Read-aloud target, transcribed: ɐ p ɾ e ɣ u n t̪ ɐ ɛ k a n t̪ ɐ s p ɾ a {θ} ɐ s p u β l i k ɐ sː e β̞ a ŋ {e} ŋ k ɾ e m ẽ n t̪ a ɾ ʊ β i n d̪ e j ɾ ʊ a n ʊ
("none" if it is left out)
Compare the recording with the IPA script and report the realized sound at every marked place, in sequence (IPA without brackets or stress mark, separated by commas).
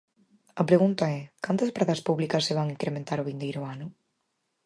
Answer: ð, i